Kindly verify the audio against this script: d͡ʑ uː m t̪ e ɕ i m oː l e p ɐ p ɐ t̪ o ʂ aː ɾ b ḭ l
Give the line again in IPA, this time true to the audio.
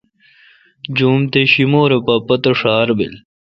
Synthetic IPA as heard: d͡ʑ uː m t̪ e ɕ i m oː ɾ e p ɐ p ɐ t̪ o ʂ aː ɾ b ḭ l